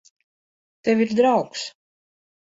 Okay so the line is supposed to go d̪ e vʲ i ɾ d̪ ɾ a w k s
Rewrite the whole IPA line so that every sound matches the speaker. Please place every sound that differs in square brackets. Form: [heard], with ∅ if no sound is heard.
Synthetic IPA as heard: [t̪] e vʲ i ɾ d̪ ɾ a w k s